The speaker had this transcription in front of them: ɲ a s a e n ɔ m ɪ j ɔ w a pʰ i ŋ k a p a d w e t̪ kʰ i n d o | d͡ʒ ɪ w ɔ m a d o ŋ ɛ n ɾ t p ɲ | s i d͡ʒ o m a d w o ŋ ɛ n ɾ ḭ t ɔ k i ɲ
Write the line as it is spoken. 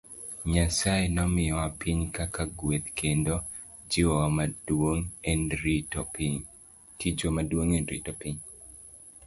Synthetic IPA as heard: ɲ a s a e n ɔ m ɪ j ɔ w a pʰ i ɲ k a k a ɡ w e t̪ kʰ e n d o | d͡ʒ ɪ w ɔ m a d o ŋ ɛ n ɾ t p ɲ | t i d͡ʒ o m a d w o ŋ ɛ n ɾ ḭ t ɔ p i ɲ